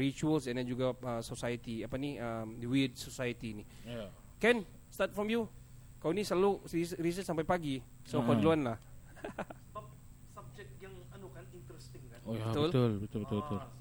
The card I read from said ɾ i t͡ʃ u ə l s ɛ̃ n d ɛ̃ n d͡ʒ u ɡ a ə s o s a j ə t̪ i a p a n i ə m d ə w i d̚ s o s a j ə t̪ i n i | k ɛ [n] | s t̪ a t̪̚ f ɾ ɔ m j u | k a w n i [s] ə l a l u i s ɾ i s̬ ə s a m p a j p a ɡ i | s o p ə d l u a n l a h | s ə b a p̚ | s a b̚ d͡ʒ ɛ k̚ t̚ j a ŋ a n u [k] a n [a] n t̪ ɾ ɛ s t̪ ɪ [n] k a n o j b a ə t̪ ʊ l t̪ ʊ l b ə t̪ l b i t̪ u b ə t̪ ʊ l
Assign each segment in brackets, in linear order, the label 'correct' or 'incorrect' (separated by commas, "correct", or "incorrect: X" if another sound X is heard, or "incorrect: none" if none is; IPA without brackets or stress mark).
correct, correct, correct, incorrect: i, incorrect: ŋ